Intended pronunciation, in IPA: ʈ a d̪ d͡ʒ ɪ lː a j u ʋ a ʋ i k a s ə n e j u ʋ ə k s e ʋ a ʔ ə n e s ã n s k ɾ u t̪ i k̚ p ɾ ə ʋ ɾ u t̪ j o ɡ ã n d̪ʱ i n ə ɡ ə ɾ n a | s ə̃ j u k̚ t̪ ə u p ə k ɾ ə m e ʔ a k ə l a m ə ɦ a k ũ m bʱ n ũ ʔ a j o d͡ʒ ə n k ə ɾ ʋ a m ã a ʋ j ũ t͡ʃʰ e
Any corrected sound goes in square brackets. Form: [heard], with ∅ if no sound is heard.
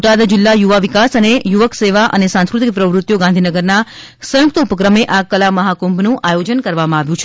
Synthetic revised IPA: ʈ a d̪ d͡ʒ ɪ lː a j u ʋ a ʋ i k a s ə n e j u ʋ ə k s e ʋ a ʔ ə n e s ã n s k ɾ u t̪ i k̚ p ɾ ə ʋ ɾ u t̪ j o ɡ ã n d̪ʱ i n ə ɡ ə ɾ n a | s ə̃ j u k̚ t̪ ə u p ə k ɾ ə m e ʔ a k ə l a m ə ɦ a k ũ m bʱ n ũ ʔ a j o d͡ʒ ə n k ə ɾ ʋ a m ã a ʋ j ũ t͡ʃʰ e